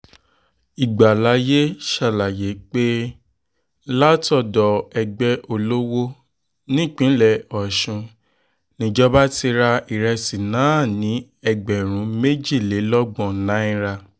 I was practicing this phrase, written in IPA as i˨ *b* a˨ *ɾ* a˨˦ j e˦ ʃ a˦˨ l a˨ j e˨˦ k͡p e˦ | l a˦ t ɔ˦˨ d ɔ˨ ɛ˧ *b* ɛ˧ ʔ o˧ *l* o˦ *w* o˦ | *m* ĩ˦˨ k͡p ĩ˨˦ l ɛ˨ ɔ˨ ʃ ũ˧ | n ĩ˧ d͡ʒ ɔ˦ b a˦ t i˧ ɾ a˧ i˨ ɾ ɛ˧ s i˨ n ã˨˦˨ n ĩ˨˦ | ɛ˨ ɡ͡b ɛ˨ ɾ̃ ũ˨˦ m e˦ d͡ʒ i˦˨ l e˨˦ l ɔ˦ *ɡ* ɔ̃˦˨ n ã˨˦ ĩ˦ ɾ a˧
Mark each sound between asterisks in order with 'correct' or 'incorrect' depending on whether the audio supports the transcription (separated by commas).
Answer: incorrect, incorrect, incorrect, correct, correct, incorrect, incorrect